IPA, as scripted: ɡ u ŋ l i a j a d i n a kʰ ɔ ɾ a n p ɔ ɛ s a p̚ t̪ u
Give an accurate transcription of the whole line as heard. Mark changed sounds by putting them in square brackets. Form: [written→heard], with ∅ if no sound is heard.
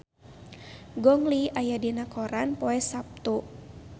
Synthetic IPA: ɡ [u→ɔ] ŋ l i a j a d i n a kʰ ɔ ɾ a n p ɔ ɛ s a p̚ t̪ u